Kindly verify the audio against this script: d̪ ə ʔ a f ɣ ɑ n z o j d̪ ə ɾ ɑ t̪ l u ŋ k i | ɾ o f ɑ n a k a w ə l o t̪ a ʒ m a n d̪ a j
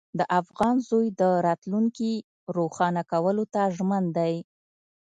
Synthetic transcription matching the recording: d̪ ə ʔ a f ɣ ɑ n z o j d̪ ə ɾ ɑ t̪ l u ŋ k i | ɾ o x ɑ n a k a w ə l o t̪ a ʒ m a n d̪ a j